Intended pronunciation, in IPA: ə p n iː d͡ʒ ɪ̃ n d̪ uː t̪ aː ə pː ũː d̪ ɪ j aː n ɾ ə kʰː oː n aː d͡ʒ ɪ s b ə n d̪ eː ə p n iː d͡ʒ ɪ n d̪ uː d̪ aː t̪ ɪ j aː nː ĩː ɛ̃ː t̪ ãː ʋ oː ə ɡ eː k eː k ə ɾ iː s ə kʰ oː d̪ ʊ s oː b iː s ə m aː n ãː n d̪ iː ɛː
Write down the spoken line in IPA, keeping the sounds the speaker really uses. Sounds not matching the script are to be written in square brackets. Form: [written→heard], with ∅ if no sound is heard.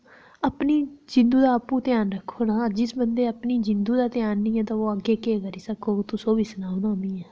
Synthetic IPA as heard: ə p n iː d͡ʒ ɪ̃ n d̪ uː [t̪→d̪] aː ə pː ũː [d̪→t̪] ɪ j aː n ɾ ə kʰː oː n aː d͡ʒ ɪ s b ə n d̪ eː ə p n iː d͡ʒ ɪ n d̪ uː d̪ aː t̪ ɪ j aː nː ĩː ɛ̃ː t̪ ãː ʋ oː ə ɡ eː k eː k ə ɾ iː s ə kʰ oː [d̪→t̪] ʊ s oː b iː s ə [m→n] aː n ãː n d̪ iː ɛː